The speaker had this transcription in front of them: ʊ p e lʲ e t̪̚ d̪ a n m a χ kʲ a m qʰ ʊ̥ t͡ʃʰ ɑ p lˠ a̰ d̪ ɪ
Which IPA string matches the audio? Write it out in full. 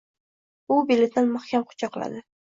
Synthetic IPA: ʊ b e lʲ e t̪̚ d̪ a n m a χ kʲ a m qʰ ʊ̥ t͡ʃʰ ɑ q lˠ a̰ d̪ ɪ